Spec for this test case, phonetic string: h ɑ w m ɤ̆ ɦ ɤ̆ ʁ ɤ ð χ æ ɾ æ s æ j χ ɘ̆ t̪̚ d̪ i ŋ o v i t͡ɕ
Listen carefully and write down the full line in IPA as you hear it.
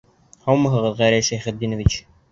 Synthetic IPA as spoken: h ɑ w m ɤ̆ ɦ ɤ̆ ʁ ɤ ð ʁ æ ɾ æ ʃ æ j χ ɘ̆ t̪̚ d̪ i n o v i t͡ɕ